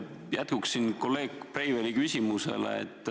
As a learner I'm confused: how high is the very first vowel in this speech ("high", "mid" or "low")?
low